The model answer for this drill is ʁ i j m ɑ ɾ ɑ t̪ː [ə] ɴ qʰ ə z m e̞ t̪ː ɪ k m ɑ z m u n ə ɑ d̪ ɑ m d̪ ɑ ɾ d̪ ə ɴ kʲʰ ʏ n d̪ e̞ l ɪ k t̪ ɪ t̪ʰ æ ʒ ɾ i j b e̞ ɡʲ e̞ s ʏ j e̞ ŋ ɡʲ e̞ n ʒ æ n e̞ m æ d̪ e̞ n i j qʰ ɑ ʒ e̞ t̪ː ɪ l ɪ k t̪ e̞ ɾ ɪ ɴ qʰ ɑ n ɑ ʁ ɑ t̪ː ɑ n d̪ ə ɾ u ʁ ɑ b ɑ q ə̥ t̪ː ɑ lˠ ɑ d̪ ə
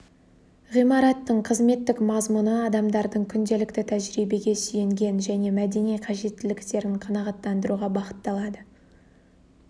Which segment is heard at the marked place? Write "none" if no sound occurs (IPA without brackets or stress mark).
ə